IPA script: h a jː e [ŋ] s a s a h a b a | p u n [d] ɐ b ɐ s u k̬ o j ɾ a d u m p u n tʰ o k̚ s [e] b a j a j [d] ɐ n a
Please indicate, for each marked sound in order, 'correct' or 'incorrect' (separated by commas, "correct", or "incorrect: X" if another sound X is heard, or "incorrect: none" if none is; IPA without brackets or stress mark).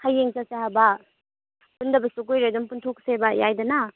correct, correct, correct, correct